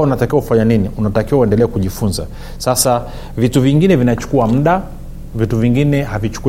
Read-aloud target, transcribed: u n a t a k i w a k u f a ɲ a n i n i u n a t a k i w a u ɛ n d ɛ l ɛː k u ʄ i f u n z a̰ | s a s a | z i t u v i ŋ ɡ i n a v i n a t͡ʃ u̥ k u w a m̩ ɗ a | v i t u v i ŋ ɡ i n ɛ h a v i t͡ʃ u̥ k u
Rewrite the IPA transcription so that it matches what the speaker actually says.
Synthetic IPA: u n a t a k i w a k u f a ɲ a n i n i u n a t a k i w a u ɛ n d ɛ l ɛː k u ʄ i f u n z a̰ | s a s a | v i t u v i ŋ ɡ i n ɛ v i n a t͡ʃ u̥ k u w a m̩ ɗ a | v i t u v i ŋ ɡ i n ɛ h a v i t͡ʃ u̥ k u